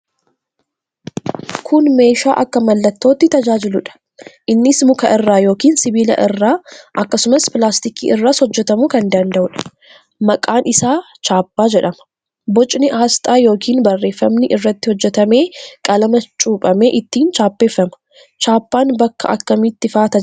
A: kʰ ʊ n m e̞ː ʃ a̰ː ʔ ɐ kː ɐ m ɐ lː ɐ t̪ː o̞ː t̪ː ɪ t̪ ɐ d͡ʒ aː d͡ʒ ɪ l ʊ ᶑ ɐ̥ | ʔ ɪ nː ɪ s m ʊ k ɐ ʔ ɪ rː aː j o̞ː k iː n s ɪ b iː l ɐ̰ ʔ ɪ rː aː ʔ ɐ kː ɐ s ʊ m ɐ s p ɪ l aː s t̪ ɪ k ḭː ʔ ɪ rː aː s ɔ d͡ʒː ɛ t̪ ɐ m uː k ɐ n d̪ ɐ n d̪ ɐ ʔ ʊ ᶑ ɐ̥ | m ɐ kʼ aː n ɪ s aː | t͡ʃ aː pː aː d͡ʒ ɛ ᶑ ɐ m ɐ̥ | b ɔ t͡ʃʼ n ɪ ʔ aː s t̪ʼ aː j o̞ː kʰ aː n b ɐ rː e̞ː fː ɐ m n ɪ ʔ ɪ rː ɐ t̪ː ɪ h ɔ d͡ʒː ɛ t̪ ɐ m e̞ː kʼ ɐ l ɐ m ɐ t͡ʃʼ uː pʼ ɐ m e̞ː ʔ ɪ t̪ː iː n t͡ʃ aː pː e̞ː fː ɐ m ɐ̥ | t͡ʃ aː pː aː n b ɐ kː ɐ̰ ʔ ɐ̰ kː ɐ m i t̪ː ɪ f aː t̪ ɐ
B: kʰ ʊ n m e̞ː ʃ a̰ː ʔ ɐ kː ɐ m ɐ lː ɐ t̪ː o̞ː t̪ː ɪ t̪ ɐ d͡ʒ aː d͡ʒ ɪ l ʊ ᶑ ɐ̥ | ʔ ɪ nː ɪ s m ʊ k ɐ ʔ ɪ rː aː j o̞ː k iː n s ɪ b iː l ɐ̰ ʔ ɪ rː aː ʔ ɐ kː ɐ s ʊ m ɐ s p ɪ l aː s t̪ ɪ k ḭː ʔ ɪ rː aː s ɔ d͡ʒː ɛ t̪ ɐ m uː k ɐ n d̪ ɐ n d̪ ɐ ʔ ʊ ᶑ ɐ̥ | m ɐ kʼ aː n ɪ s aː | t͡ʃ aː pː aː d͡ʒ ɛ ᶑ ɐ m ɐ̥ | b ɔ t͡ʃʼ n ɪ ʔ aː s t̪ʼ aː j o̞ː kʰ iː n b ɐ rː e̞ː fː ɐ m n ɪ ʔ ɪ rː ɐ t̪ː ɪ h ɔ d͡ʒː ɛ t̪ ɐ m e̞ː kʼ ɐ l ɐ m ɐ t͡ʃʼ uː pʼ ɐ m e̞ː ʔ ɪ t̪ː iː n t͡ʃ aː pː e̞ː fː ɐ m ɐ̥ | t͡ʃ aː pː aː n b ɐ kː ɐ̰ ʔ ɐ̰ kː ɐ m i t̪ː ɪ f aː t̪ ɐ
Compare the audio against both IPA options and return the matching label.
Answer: B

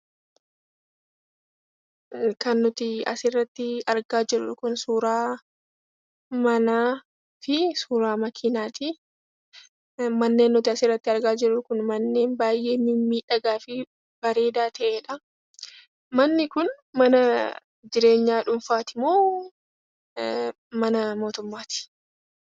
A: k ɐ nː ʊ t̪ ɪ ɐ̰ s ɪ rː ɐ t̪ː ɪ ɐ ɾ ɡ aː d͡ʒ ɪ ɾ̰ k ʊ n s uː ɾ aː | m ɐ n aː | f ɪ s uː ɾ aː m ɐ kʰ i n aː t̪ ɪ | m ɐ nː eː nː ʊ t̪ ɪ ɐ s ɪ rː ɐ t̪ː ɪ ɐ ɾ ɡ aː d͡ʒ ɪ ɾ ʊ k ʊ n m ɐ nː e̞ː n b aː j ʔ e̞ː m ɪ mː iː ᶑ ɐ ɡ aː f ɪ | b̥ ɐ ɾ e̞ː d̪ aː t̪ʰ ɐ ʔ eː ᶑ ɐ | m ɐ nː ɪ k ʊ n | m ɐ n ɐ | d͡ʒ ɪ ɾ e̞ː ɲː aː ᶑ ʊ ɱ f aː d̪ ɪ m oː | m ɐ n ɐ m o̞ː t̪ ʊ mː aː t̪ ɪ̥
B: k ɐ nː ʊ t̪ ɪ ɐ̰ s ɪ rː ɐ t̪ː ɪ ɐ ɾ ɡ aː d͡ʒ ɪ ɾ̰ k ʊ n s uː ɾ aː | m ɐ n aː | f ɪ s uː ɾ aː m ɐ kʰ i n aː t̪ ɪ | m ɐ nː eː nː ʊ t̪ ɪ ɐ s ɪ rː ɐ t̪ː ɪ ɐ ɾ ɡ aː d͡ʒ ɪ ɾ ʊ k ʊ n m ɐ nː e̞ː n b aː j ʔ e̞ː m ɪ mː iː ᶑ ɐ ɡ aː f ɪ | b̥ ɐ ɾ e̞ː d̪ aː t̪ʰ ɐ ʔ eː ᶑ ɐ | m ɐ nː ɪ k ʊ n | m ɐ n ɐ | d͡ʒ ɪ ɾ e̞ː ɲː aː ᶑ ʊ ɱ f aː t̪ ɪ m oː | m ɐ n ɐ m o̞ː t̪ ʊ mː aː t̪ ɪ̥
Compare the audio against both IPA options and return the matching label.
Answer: B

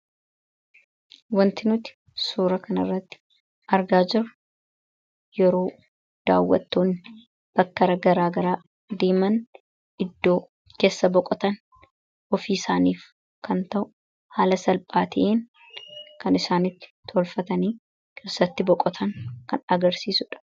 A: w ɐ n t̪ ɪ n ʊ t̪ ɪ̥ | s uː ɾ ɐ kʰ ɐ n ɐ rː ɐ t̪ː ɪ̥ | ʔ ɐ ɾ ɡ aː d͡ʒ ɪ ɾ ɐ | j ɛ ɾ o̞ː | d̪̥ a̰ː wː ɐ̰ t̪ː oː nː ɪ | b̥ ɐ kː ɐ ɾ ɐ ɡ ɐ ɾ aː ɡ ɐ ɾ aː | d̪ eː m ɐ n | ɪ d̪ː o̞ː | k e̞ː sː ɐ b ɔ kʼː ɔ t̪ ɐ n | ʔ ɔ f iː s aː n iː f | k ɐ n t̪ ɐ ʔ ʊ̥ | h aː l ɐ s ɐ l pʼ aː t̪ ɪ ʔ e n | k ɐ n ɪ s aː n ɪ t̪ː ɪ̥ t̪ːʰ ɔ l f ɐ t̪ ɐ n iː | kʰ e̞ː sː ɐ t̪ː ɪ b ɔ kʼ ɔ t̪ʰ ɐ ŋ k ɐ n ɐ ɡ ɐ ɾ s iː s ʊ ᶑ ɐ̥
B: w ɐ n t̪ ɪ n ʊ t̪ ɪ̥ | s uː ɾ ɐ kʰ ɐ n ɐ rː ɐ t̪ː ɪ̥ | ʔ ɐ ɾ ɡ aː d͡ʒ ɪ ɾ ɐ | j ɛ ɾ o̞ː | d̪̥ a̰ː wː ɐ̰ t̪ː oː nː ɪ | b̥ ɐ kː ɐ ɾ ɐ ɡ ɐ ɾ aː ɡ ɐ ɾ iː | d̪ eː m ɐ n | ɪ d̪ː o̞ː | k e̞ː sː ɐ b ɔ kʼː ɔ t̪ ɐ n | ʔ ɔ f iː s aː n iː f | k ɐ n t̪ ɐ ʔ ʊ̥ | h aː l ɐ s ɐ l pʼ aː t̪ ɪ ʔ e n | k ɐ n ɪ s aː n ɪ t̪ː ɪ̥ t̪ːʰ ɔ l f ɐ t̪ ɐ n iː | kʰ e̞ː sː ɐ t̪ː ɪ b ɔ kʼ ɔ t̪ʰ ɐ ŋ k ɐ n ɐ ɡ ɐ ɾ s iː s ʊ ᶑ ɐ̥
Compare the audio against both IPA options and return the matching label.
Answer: A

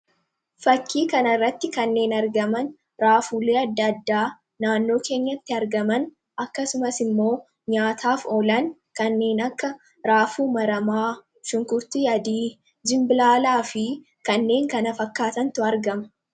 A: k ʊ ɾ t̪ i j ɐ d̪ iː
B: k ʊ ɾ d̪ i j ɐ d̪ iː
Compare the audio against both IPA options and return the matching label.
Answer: A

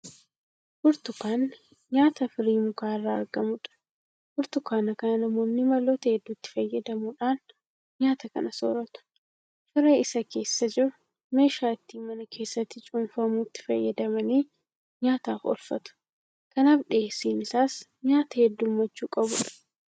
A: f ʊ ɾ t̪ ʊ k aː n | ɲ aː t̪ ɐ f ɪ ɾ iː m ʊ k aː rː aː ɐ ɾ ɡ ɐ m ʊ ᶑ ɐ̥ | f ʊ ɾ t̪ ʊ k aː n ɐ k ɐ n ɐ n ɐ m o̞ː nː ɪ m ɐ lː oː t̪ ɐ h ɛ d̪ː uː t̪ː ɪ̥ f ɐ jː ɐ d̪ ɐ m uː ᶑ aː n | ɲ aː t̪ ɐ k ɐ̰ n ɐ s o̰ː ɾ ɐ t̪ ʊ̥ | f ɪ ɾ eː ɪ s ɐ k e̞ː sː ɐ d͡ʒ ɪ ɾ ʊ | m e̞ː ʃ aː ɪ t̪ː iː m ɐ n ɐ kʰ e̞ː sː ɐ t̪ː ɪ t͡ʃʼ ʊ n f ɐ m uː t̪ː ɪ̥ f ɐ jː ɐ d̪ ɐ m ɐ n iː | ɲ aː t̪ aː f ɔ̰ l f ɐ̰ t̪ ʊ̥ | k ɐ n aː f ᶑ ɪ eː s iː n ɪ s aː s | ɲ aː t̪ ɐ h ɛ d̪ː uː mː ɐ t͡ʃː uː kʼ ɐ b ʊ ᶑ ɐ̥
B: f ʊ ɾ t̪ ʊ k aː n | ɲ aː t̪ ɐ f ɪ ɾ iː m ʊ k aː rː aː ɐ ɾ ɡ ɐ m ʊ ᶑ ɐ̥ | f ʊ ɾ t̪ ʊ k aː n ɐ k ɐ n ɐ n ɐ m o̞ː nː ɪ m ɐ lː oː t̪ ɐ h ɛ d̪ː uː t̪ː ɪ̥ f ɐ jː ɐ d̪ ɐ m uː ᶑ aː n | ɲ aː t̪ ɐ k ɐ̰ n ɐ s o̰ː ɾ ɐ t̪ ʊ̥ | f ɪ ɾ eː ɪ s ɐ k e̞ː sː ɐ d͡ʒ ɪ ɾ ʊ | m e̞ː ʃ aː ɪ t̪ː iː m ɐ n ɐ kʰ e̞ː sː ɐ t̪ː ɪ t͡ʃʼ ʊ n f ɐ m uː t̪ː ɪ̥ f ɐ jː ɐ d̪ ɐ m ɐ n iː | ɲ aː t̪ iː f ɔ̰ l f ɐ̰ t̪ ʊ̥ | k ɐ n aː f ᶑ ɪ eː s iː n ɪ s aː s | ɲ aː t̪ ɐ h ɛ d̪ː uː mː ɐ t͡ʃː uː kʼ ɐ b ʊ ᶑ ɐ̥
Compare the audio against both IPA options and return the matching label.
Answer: A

